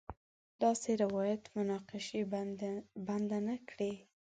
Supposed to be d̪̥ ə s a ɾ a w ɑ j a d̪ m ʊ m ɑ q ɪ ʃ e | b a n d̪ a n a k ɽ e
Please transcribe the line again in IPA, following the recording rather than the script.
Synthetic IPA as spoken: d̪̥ ɑ s e ɾ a w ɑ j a t̪ m ʊ n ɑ q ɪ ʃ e | b a n d̪ a n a k ɽ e